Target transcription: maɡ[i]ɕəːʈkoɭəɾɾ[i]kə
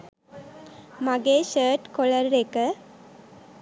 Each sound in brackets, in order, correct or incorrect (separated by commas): incorrect, incorrect